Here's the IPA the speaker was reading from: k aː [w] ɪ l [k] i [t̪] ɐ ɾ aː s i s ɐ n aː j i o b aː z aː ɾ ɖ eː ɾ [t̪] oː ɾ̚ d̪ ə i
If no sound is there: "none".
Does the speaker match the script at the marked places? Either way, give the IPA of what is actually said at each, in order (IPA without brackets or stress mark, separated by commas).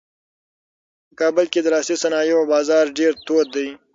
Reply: b, k, d̪, t̪